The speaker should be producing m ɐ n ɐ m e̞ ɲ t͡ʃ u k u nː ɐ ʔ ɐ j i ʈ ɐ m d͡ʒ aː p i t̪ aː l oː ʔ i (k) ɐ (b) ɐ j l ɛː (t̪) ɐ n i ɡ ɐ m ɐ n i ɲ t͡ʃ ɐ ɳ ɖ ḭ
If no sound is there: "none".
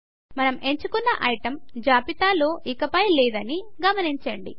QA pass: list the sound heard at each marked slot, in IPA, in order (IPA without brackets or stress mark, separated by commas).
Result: k, p, d̪